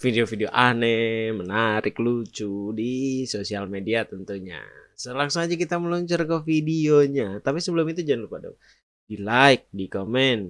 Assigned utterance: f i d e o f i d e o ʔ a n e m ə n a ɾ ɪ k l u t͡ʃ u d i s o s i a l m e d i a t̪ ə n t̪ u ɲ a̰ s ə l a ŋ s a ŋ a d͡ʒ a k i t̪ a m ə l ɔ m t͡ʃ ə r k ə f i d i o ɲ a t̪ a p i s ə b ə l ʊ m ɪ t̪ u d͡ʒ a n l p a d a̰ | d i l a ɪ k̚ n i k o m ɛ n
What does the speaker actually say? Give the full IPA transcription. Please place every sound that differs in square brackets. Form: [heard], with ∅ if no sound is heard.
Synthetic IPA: f i d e o f i d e o ʔ a n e m ə n a ɾ ɪ k l u t͡ʃ u d i s o s i a l m e d i a t̪ ə n t̪ u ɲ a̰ s ə l a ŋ s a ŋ a d͡ʒ a k i t̪ a m ə l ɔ [ɲ] t͡ʃ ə r k ə f i d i o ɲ a t̪ a p i s ə b ə l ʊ m [i] t̪ u d͡ʒ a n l p a d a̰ | d i l a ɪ k̚ [d] i k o m ɛ n